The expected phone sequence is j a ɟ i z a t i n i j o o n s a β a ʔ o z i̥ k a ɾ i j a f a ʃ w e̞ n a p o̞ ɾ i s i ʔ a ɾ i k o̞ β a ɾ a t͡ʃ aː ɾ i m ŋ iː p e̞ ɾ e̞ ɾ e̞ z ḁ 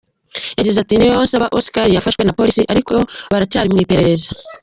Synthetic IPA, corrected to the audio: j a ɟ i z a t i n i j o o n s a β a ʔ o s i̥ k a ɾ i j a f a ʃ w e̞ n a p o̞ ɾ i s i ʔ a ɾ i k o̞ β a ɾ a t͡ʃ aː ɾ i m ŋ iː p e̞ ɾ e̞ ɾ e̞ z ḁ